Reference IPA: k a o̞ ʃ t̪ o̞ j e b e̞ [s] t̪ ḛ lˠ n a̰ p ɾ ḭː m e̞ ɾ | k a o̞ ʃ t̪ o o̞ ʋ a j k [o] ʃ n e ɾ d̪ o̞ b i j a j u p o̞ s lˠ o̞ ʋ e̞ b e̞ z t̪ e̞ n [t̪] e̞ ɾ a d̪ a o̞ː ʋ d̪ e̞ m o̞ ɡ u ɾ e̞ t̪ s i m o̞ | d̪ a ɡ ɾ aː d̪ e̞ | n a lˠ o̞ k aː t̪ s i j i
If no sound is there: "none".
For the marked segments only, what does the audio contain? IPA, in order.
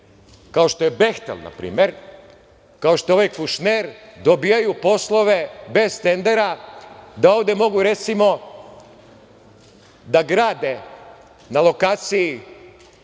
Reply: x, u, d̪

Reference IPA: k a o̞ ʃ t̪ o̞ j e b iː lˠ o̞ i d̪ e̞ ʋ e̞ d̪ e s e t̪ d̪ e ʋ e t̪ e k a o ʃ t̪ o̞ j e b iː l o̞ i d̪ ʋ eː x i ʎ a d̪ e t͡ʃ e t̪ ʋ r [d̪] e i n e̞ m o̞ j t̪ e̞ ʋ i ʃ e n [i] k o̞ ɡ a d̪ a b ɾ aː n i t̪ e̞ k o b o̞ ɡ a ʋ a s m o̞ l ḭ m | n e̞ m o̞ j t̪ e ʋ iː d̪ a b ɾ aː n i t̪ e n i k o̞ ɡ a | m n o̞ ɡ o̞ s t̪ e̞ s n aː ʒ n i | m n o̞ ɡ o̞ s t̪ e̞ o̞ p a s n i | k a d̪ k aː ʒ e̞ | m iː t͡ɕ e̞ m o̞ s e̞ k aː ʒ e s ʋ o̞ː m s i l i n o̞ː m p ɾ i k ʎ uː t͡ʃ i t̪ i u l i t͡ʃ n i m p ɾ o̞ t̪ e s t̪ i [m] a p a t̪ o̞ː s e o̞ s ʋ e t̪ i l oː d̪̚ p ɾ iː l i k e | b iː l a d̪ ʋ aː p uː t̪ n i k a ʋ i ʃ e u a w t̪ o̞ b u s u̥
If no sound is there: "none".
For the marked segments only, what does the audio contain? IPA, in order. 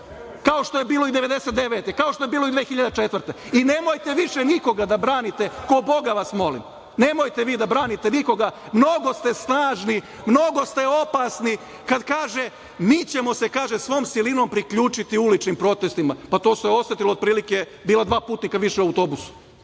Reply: t̪, i, m

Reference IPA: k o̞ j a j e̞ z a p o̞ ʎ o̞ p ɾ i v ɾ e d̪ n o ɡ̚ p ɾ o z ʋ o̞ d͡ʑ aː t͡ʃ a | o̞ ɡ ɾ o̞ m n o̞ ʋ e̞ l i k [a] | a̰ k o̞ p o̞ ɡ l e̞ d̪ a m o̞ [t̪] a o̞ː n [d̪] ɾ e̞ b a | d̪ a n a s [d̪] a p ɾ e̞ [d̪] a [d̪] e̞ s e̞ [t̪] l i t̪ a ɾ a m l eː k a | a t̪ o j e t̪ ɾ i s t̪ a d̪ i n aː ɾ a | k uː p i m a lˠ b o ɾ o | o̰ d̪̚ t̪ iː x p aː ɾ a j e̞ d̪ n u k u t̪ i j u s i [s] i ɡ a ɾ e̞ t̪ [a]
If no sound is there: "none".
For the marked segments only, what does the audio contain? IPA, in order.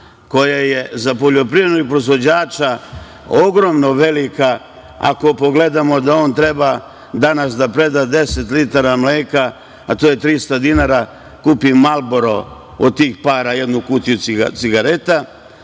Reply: a, d̪, t̪, d̪, d̪, d̪, t̪, s, a

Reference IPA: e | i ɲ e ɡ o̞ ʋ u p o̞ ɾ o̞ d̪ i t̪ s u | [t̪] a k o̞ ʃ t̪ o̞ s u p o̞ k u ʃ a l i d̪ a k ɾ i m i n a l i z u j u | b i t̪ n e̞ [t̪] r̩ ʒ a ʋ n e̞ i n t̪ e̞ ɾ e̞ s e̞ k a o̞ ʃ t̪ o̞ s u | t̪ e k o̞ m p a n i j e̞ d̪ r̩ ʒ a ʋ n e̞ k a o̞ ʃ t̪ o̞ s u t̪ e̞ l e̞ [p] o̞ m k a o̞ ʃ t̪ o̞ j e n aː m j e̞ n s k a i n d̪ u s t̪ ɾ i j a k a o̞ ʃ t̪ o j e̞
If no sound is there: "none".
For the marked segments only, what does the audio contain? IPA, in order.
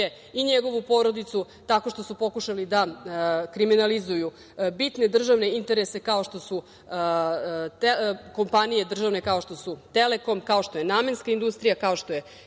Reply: t̪, d̪, k

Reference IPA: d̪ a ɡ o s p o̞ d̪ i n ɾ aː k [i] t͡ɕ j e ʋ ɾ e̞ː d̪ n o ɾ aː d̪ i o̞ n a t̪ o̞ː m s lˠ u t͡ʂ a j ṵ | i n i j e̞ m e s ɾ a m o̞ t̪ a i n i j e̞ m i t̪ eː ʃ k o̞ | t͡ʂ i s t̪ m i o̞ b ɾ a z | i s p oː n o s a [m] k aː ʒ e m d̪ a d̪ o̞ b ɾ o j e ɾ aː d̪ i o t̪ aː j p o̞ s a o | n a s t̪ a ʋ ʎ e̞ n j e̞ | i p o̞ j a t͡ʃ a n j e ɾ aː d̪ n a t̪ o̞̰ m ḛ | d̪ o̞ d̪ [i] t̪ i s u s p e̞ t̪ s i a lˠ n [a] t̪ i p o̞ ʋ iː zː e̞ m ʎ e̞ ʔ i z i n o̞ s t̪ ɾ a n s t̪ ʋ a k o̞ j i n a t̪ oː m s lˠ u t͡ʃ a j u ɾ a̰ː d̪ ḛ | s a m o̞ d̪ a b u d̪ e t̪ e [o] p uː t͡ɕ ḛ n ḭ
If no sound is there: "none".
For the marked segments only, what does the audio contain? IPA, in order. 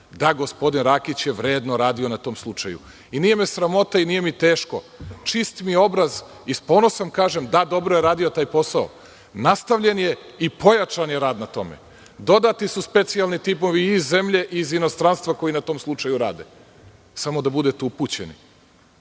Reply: i, m, a, i, u

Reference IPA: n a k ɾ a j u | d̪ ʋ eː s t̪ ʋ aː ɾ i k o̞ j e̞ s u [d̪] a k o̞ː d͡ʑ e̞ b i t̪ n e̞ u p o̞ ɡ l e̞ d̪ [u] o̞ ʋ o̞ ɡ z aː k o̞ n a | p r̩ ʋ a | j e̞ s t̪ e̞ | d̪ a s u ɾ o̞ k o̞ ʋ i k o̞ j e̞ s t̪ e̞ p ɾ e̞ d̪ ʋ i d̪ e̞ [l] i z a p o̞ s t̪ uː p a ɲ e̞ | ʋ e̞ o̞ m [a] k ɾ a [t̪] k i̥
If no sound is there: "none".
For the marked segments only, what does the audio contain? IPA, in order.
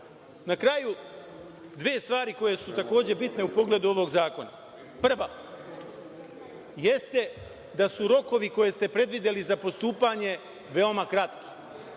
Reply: t̪, u, l, a, t̪

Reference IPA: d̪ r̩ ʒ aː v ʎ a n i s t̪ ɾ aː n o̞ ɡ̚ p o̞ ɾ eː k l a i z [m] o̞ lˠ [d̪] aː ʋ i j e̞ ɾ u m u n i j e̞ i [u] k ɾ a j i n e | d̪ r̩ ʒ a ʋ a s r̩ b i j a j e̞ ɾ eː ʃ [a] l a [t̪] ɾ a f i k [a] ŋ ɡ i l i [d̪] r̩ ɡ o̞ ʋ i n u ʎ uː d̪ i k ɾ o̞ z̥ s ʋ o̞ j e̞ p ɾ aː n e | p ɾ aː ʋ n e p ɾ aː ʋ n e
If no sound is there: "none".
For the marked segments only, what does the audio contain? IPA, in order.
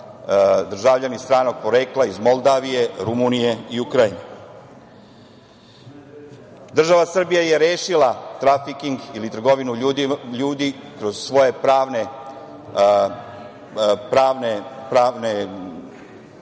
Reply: m, d̪, u, i, t̪, i, t̪

